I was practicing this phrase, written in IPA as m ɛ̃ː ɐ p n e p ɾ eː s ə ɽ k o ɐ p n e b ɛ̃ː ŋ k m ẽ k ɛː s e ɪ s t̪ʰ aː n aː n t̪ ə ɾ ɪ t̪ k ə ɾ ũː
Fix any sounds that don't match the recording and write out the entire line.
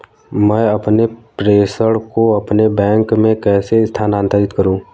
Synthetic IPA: m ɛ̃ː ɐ p n e p ɾ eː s ə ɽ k o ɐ p n e b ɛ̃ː ŋ k m ẽ k ɛː s e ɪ s t̪ʰ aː n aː n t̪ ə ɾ ɪ t̪ k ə ɾ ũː